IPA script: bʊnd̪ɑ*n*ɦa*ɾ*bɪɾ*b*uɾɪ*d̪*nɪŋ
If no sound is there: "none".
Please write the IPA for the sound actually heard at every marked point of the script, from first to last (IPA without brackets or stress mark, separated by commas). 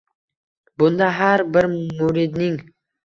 none, ɾ, m, d̪